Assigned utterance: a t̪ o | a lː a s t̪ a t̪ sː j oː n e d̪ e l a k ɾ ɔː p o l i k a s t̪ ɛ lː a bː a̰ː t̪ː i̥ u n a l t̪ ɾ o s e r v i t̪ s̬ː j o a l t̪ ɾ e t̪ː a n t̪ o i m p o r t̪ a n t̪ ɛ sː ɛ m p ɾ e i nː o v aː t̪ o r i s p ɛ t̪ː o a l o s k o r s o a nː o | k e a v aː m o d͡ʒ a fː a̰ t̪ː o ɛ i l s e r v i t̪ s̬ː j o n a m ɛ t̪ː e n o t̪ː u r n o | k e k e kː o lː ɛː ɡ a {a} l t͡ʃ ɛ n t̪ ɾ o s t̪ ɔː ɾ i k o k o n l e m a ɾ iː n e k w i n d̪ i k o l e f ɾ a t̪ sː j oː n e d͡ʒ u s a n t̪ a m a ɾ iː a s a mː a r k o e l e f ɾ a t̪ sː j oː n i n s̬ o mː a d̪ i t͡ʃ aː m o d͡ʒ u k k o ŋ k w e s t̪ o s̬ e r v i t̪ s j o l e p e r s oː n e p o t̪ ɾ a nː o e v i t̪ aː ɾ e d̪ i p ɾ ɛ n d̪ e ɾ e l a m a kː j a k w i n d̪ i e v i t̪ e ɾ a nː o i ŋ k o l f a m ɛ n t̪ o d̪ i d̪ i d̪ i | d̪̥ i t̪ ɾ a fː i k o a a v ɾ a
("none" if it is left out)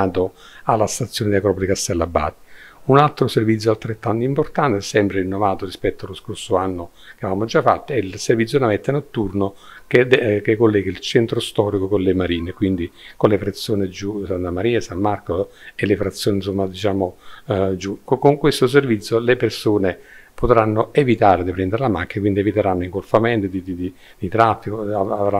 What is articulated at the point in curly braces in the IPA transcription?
i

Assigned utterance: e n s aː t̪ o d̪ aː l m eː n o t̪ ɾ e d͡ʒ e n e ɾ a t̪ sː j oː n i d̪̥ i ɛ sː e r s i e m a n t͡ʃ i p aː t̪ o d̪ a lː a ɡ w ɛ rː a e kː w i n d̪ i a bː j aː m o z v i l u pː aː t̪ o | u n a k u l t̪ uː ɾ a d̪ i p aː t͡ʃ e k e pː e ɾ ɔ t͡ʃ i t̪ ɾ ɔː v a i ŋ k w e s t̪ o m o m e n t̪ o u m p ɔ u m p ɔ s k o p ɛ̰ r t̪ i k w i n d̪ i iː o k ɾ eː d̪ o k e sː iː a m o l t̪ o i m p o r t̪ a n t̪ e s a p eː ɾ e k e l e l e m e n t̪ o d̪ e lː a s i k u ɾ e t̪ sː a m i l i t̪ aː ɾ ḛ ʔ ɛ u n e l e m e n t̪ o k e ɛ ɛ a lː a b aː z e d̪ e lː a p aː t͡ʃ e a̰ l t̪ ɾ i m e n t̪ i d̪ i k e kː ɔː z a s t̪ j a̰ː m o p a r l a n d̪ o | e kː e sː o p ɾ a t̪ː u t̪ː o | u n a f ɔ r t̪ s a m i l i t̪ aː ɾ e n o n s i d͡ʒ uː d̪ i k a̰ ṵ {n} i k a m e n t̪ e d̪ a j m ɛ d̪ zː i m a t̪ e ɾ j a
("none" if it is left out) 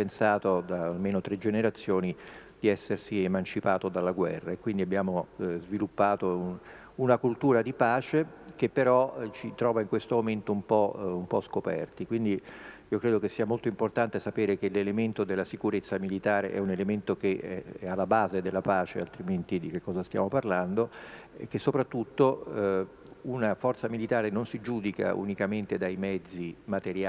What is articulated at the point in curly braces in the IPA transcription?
n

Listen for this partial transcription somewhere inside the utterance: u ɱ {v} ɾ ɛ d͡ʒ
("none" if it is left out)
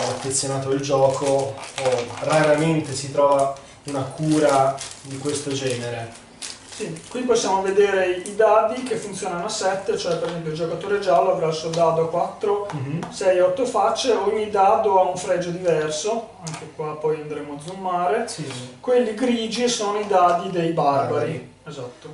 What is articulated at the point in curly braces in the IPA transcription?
f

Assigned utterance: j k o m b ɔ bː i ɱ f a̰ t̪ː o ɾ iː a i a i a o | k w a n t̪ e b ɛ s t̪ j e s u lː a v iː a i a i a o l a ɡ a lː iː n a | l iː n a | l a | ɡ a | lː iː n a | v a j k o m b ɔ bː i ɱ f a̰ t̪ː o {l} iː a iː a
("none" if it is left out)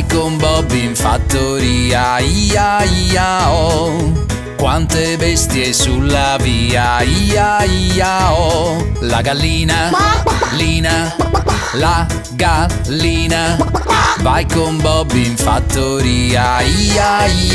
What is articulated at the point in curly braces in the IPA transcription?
ɾ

